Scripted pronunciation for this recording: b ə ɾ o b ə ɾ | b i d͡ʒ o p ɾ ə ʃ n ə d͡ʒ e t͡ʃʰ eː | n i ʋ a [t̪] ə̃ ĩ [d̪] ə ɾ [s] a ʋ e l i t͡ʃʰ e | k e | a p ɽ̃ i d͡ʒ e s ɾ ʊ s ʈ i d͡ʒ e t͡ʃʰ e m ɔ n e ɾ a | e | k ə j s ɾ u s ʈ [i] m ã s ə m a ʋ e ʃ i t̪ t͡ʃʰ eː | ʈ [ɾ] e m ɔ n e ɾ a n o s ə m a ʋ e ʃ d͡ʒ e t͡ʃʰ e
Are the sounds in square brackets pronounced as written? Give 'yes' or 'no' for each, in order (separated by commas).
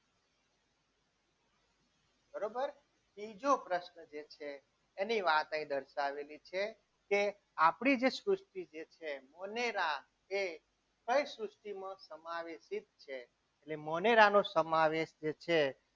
yes, yes, no, yes, no